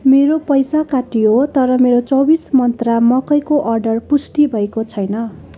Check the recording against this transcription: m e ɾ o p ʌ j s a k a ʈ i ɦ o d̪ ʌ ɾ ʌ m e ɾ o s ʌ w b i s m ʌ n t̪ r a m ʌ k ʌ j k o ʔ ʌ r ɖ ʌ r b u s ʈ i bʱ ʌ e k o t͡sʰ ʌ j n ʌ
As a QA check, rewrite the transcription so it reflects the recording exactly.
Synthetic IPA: m e ɾ o p ʌ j s a k a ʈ i ɦ o t̪ ʌ ɾ ʌ m e ɾ o t͡s ʌ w b i s m ʌ n t̪ r a m ʌ k ʌ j k o ʔ ʌ r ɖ ʌ r p u s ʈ i bʱ ʌ e k o t͡sʰ ʌ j n ʌ